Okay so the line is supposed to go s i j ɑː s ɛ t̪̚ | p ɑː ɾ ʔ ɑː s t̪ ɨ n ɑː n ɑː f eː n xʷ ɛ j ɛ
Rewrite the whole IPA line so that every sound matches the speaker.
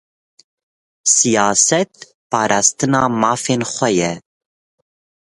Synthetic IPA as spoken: s i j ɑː s ɛ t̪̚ | p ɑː ɾ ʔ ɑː s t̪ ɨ n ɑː m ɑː f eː n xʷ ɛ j ɛ